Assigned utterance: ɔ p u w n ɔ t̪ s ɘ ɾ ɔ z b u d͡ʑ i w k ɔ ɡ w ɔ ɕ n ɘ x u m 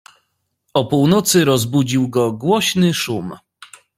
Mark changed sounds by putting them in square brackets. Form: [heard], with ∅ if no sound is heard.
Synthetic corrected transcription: ɔ p u w n ɔ t̪ s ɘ ɾ ɔ z b u d͡ʑ i w [ɡ] ɔ ɡ w ɔ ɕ n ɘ [ʂ] u m